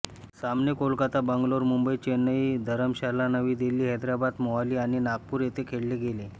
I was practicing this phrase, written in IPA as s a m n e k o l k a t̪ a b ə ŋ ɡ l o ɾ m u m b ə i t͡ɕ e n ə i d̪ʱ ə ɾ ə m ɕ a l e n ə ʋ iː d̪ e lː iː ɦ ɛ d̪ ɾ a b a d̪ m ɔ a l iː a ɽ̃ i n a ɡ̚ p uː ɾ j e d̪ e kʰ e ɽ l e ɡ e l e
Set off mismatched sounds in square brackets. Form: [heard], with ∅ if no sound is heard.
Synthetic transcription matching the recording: s a m n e k o l k a t̪ a b ə ŋ ɡ l o ɾ m u m b ə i t͡ɕ e n ə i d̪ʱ ə ɾ ə m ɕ a l [a] n ə ʋ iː d̪ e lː iː ɦ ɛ d̪ ɾ a b a d̪ m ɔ a l iː a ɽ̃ i n a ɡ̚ p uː ɾ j e [t̪] e kʰ e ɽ l e ɡ e l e